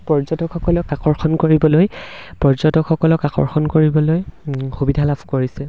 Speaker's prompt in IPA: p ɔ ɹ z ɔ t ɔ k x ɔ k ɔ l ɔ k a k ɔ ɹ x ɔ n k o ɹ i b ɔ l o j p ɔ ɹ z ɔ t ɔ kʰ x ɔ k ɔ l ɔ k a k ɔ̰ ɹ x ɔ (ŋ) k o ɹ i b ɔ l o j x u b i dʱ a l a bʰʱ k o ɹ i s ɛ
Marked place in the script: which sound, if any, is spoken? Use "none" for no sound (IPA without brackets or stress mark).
n